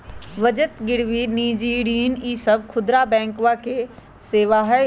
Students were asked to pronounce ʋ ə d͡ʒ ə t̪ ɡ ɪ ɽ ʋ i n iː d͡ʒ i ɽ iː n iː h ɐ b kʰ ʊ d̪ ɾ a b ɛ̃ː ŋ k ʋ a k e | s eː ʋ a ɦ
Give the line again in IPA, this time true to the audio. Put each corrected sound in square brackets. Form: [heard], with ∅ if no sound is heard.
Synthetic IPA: ʋ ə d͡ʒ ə t̪ ɡ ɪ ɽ ʋ i n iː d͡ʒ i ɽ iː n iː [s] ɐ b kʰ ʊ d̪ ɾ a b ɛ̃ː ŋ k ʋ a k e | s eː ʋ a ɦ